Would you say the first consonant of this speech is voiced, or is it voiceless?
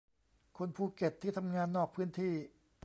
voiceless